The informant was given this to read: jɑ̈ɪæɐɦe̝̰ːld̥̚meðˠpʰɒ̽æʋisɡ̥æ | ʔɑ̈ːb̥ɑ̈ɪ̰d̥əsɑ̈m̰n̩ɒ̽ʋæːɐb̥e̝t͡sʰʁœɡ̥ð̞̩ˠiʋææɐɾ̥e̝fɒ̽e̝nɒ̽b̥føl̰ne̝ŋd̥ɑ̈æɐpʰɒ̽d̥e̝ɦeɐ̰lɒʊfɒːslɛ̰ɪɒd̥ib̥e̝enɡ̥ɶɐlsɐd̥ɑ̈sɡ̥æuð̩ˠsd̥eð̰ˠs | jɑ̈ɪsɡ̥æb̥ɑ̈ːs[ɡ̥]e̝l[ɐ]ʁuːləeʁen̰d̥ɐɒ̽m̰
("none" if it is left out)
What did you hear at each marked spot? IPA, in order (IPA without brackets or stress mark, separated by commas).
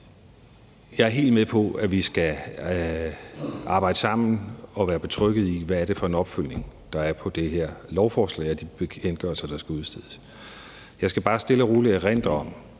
d̥, ə